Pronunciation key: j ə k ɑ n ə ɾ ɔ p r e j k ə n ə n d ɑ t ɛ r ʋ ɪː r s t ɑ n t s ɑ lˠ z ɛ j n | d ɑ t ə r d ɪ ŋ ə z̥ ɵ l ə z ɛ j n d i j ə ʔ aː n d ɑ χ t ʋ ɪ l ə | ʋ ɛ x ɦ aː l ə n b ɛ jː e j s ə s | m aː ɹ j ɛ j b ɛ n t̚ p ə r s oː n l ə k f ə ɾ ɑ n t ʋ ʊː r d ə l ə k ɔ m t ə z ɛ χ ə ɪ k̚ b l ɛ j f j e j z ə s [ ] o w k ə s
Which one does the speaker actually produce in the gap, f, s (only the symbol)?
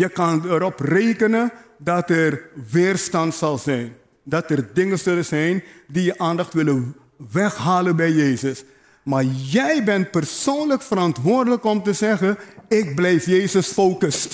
f